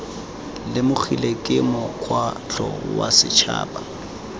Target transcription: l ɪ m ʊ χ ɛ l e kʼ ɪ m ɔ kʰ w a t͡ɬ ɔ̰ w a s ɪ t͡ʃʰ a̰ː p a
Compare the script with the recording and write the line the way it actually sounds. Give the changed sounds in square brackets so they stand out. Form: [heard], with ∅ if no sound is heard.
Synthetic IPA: l ɪ m ʊ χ [i] l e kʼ ɪ m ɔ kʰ w a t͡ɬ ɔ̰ w a s ɪ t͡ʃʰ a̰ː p a